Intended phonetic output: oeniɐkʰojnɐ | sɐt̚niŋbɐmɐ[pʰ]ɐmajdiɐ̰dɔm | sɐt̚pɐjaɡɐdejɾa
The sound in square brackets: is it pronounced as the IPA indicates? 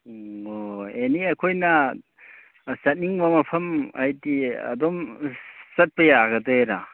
yes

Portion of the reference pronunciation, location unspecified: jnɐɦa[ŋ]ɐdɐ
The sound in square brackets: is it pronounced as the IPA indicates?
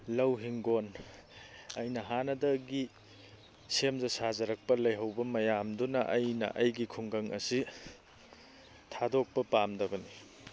no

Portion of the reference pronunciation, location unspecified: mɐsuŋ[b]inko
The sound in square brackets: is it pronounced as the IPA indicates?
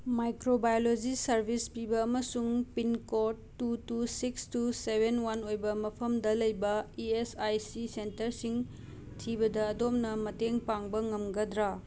no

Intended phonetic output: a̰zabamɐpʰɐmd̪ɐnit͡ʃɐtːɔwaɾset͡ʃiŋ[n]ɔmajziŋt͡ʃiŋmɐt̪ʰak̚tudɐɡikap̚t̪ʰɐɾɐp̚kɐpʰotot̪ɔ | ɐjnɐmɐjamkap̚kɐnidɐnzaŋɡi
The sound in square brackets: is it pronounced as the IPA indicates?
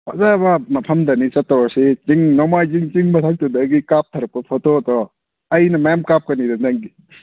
yes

